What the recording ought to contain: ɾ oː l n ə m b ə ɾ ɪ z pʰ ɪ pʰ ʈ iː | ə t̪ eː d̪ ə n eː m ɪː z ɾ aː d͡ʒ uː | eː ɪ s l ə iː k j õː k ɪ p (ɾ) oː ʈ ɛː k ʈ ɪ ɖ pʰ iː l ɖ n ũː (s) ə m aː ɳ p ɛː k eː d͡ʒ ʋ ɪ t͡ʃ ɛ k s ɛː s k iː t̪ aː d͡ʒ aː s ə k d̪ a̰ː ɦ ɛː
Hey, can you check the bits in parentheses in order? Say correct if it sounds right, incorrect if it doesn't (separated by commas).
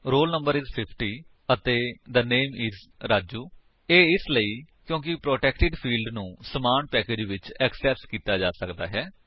correct, correct